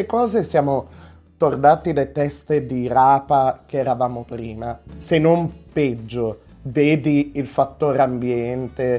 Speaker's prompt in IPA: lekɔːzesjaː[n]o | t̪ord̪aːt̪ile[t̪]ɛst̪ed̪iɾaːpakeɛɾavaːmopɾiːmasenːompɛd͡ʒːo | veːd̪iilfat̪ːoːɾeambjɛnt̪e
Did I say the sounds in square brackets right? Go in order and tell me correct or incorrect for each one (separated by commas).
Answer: incorrect, correct